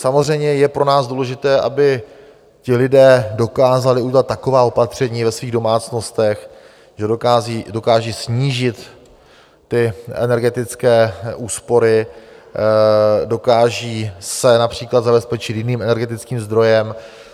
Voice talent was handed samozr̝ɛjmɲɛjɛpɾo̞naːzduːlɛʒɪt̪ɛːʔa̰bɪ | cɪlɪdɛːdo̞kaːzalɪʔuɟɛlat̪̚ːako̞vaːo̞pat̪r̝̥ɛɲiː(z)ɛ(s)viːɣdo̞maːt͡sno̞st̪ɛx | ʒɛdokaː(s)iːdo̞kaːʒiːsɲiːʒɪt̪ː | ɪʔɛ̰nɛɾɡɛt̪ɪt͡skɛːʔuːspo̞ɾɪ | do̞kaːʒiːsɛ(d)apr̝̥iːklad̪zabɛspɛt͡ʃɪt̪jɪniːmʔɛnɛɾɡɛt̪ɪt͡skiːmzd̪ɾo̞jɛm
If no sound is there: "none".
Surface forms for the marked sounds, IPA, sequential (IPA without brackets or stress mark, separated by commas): v, s, z, n